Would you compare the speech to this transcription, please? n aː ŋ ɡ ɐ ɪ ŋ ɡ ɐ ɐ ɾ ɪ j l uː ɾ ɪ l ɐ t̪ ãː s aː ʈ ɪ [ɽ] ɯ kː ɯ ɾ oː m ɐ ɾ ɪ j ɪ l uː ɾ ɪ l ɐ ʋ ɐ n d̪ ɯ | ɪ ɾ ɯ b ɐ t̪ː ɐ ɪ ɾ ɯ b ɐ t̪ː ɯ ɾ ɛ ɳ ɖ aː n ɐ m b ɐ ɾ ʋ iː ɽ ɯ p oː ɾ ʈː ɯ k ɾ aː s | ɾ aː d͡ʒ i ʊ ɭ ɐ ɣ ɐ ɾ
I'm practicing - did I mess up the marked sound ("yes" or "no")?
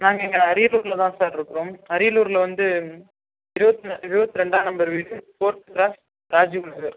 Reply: yes